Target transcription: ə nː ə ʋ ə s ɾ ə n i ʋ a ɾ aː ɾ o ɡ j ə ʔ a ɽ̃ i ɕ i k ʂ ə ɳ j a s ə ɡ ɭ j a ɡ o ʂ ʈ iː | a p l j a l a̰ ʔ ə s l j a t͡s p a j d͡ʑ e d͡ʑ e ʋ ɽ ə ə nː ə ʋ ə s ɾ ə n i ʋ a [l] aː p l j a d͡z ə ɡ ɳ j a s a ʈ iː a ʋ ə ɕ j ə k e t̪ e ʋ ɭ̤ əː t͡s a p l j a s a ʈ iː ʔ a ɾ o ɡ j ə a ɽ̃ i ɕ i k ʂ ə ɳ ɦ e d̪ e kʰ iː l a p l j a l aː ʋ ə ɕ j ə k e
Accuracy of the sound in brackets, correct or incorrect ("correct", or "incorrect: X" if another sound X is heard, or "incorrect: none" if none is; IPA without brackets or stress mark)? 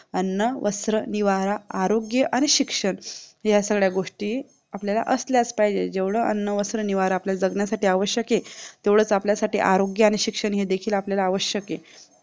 incorrect: ɾ